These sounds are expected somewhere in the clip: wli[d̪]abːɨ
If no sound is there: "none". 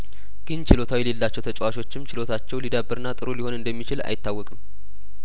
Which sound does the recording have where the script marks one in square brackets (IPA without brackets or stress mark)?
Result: d̪